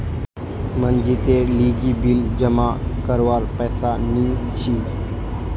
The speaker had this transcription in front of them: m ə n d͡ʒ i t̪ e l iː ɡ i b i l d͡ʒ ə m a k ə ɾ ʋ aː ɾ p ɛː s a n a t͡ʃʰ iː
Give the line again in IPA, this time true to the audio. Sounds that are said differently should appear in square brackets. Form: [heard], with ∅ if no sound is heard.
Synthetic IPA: m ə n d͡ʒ i t̪ e l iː ɡ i b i l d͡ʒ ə m a k ə ɾ ʋ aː ɾ p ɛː s a n [i] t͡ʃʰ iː